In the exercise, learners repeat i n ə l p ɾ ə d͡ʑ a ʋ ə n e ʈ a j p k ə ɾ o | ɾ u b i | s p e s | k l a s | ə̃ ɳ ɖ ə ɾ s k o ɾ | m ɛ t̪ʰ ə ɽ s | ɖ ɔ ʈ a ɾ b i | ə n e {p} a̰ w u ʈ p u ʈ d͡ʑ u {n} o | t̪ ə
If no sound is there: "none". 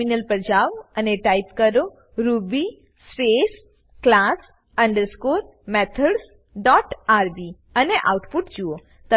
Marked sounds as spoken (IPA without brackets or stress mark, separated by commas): ʔ, none